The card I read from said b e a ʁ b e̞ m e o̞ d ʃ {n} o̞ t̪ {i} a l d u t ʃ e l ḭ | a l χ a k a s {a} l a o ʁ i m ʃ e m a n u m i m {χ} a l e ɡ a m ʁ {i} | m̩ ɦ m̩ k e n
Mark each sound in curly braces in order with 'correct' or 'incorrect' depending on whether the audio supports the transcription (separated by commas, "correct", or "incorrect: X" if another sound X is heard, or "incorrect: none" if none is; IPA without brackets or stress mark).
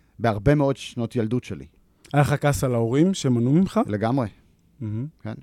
correct, incorrect: j, correct, correct, incorrect: e